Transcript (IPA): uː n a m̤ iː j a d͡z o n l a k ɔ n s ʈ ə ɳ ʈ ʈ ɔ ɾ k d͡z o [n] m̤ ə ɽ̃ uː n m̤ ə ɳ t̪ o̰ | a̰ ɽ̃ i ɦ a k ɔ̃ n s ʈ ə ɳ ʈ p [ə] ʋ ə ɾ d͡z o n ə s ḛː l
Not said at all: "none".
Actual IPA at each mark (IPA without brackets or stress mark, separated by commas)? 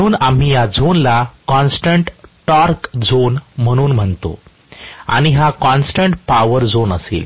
n, a